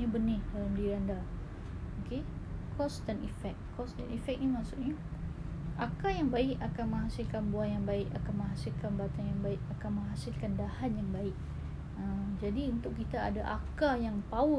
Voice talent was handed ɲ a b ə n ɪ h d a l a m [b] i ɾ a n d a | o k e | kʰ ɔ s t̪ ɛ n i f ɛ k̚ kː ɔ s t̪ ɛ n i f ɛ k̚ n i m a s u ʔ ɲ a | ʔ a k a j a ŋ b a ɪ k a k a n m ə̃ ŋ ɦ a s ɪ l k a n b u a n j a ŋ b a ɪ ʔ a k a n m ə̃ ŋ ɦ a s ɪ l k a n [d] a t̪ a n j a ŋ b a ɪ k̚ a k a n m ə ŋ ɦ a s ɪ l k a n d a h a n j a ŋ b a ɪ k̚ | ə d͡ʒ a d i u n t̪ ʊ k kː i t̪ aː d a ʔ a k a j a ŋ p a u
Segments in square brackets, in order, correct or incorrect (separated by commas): incorrect, incorrect